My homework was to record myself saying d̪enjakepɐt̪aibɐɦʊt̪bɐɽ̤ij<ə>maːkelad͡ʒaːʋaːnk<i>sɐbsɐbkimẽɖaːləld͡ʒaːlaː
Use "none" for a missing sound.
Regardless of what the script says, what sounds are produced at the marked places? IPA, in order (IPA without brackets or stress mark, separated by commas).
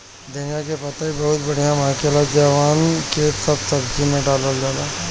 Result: a, e